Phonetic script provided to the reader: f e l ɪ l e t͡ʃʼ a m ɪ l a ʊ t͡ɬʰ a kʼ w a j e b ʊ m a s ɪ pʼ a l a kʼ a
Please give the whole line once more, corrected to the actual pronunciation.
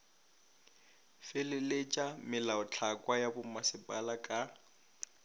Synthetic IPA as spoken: f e l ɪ l e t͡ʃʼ a m ɪ l a ʊ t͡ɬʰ a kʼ w a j a b ʊ m a s ɪ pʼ a l a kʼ a